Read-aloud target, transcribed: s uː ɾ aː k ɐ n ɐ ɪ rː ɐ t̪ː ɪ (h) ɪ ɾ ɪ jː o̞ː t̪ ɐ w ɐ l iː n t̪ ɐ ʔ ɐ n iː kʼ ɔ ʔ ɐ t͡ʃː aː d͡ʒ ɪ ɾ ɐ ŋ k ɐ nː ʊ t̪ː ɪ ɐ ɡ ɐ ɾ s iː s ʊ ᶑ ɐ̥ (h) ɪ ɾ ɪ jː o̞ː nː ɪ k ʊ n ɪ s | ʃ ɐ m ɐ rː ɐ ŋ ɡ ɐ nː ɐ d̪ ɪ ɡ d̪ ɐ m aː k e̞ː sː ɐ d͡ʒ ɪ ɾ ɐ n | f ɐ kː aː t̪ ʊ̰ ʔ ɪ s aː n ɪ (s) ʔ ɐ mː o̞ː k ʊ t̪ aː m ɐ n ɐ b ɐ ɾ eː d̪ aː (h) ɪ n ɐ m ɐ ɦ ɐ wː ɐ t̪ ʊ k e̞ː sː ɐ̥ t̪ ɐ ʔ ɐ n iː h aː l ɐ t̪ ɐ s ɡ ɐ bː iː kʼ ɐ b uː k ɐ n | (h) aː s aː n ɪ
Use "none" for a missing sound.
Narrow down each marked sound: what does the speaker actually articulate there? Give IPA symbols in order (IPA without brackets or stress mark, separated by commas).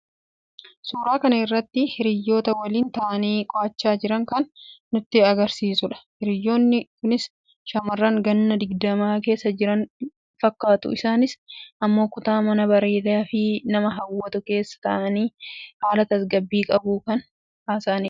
h, h, s, f, h